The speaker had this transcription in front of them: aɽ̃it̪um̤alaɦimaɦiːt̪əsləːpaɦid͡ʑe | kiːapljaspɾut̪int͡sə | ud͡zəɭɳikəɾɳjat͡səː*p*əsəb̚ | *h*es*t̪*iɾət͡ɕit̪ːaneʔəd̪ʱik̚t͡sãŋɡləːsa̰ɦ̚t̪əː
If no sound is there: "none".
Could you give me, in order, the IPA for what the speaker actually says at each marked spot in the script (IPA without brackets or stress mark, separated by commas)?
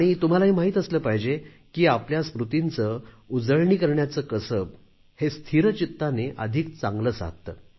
k, h, t̪ʰ